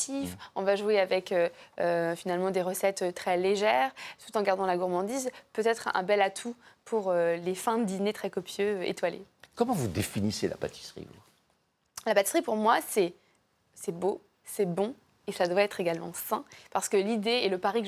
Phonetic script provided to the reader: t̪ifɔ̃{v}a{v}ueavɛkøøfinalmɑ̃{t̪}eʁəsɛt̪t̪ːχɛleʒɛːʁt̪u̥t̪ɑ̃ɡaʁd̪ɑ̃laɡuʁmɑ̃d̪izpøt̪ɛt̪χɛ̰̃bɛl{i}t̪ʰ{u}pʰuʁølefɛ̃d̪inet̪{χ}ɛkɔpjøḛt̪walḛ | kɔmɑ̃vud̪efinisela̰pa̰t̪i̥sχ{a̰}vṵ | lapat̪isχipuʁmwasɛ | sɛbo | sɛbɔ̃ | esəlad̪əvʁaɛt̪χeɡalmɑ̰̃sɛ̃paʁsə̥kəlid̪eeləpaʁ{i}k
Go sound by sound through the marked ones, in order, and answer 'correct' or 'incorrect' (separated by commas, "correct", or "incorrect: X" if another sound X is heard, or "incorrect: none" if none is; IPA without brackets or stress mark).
correct, incorrect: ʒ, incorrect: d̪, incorrect: a, correct, correct, incorrect: ḭ, correct